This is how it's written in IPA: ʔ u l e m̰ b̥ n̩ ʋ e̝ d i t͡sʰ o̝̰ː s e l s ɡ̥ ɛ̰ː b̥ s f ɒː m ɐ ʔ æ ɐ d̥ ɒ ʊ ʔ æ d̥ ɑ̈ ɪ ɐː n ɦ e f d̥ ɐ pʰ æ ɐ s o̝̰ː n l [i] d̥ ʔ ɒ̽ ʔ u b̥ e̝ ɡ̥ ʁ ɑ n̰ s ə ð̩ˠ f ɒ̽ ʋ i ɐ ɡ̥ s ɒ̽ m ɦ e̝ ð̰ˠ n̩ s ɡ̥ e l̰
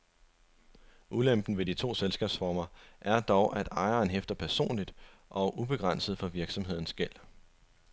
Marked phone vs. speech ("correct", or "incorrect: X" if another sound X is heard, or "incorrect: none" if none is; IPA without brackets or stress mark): correct